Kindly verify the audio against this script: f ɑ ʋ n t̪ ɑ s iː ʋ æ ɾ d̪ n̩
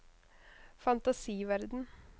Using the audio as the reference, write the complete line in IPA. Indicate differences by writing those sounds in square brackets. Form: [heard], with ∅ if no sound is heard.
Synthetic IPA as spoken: f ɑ [∅] n t̪ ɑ s iː ʋ æ ɾ d̪ n̩